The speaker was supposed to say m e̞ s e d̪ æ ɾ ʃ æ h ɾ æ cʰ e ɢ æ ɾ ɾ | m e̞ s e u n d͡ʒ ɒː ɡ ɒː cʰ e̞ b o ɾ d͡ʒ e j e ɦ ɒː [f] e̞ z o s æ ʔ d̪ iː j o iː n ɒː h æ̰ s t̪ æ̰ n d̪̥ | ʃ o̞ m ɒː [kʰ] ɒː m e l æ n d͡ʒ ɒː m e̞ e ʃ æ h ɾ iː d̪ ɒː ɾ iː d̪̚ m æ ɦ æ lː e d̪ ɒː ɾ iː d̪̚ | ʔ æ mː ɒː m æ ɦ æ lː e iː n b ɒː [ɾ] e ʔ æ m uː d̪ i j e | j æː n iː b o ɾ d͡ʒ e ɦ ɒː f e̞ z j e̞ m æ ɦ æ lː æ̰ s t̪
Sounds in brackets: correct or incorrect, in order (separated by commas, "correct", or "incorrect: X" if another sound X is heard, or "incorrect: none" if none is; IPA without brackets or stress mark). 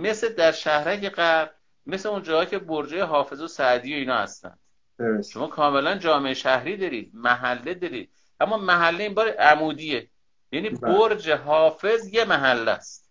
correct, correct, correct